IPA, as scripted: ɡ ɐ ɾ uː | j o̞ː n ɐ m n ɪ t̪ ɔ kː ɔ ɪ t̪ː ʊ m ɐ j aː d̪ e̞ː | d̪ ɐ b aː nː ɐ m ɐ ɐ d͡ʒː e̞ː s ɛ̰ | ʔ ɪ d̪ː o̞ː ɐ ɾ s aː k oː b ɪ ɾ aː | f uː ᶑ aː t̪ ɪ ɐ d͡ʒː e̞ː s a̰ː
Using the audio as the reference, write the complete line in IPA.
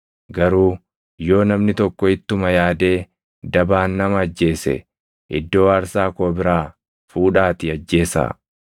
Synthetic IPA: ɡ ɐ ɾ uː | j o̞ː n ɐ m n ɪ t̪ ɔ kː ɔ ɪ t̪ː ʊ m ɐ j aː d̪ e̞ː | d̪ ɐ b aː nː ɐ m ɐ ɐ d͡ʒː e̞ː s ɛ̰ | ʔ ɪ d̪ː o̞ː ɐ ɾ s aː k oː b ɪ ɾ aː | f uː ᶑ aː t̪ ɪ ɐ d͡ʒː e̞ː s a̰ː